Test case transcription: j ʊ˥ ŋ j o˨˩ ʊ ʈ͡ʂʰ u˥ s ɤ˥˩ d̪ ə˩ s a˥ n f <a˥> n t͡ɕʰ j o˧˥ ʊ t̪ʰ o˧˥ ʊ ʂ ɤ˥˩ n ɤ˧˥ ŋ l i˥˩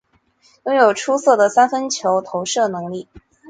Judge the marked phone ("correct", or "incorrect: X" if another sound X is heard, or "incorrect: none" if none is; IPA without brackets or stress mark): incorrect: ə˥